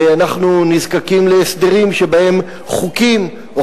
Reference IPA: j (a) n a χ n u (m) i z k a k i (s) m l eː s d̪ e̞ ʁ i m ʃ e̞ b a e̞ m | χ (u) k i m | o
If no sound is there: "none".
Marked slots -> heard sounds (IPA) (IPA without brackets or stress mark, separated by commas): a, n, none, u